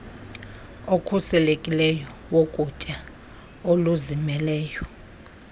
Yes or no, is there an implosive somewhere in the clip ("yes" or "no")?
no